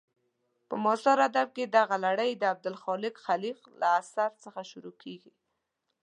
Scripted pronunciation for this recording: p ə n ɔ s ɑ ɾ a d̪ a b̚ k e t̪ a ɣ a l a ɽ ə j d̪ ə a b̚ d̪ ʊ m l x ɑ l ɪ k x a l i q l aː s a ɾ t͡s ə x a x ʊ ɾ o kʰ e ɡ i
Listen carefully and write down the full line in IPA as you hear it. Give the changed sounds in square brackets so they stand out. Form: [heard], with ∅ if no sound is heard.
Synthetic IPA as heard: p ə [m] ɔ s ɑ ɾ a d̪ a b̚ k e [d̪] a ɣ a l a ɽ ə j d̪ ə a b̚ d̪ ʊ [∅] l x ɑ l ɪ k x a l i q l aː s a ɾ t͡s ə x a [ʃ] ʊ ɾ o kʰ e ɡ i

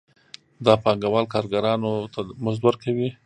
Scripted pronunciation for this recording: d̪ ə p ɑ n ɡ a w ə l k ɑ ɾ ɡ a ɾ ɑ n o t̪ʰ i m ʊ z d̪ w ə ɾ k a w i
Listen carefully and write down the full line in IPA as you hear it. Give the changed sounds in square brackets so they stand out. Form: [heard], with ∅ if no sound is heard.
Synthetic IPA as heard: d̪ [ɑ] p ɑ [ŋ] ɡ a w [ɑ] l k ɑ ɾ ɡ a ɾ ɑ n o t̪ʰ [a] m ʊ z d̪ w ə ɾ k a w i

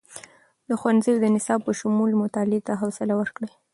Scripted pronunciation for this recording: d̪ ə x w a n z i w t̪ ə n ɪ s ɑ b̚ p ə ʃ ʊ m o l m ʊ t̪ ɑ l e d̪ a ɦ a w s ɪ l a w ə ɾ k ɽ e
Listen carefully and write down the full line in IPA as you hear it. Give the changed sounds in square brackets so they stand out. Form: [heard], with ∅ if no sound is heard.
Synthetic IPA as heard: d̪ ə x w a n z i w [d̪] ə n ɪ s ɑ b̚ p ə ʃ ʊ m [u] l m ʊ t̪ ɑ l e [t̪] a ɦ a w s ɪ l a w ə ɾ k ɽ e

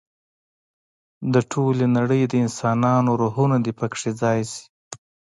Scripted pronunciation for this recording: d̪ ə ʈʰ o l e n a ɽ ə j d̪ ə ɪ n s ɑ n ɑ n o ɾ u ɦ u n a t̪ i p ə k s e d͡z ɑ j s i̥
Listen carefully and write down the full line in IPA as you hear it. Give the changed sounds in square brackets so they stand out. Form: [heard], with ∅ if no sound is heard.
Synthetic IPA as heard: d̪ ə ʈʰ o l e n a ɽ ə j d̪ ə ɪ n s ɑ n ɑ n o ɾ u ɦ u n a [d̪] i p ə k [ʂ] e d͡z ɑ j s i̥

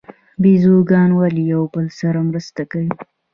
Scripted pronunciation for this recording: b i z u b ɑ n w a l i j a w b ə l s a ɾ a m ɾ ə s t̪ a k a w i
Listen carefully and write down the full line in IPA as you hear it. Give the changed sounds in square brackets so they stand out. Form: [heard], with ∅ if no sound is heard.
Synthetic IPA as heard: b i z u [ɡ] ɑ n w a l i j a w b ə l s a ɾ a m ɾ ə s t̪ a k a w i

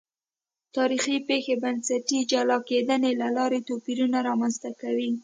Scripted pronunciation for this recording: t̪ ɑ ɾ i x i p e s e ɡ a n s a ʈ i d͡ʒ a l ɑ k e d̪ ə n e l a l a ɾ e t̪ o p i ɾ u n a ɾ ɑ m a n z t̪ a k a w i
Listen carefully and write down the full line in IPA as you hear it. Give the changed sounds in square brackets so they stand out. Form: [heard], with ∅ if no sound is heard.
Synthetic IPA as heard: t̪ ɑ ɾ i x i p e [x] e [b] a n s a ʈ i d͡ʒ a l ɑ k e d̪ ə n e l a l [ɑ] ɾ e t̪ o p i ɾ u n a ɾ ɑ m a n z t̪ a k a w i

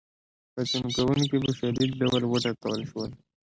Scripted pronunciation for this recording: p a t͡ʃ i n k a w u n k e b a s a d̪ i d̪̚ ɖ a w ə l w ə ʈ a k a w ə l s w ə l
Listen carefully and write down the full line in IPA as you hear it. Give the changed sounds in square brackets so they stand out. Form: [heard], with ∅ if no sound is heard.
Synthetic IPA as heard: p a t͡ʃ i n k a w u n k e b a [ʃ] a d̪ i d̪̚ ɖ a w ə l w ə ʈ a k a w ə l [ʃ] w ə l

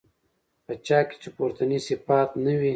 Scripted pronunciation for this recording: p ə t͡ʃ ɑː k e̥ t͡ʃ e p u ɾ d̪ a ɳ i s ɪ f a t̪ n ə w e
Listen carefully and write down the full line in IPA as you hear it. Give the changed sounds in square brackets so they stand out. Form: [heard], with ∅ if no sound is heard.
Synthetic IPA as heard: p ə t͡ʃ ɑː k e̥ t͡ʃ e p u ɾ [t̪] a [n] i s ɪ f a t̪ n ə w [i]

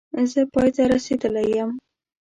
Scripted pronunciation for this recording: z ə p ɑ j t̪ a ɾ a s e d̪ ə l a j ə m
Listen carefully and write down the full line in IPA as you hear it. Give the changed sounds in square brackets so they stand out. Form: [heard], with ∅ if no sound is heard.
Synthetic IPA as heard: z ə p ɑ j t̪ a ɾ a s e d̪ ə l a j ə m

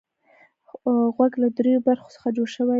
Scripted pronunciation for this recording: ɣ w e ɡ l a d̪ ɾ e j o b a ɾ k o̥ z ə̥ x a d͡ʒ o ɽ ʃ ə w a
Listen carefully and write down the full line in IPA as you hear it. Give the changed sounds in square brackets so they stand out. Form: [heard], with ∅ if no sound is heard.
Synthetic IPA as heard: ɣ w [a] ɡ l a d̪ ɾ e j o b a ɾ [x] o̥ [s] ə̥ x a d͡ʒ o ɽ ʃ ə w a

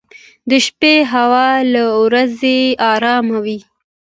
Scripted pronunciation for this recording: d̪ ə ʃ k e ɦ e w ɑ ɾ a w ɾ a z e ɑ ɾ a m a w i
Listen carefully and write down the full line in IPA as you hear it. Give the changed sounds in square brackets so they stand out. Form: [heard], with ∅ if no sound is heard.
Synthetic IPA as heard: d̪ ə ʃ [p] e ɦ [a] w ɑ [l] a w ɾ a z e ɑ ɾ [ɑ] m a w i

